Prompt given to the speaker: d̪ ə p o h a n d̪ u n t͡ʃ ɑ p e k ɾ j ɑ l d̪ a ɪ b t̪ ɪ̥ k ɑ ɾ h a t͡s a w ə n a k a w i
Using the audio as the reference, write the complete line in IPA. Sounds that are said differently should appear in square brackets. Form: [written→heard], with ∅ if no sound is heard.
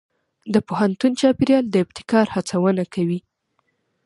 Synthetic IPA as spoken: d̪ ə p o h a n [d̪→t̪] u n t͡ʃ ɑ p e [k→∅] ɾ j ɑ l d̪ [a→ə] ɪ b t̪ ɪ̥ k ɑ ɾ h a t͡s a w ə n a k a w i